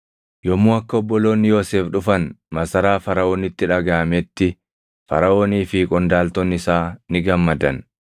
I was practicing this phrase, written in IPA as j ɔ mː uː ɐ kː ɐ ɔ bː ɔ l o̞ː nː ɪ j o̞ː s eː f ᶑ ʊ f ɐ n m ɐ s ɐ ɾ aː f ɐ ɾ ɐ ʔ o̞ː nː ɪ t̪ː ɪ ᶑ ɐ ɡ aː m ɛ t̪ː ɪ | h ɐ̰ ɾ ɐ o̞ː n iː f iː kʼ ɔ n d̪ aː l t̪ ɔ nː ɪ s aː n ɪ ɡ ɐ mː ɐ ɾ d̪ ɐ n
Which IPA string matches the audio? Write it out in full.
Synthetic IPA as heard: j ɔ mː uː ɐ kː ɐ ɔ bː ɔ l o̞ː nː ɪ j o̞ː s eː f ᶑ ʊ f ɐ n m ɐ s ɐ ɾ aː f ɐ ɾ ɐ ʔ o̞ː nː ɪ t̪ː ɪ ᶑ ɐ ɡ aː m ɛ t̪ː ɪ | f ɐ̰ ɾ ɐ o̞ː n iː f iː kʼ ɔ n d̪ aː l t̪ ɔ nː ɪ s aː n ɪ ɡ ɐ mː ɐ d̪ ɐ n